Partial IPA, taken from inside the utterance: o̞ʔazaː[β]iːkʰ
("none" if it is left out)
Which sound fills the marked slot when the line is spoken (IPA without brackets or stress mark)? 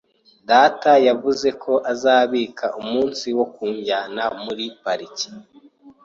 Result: β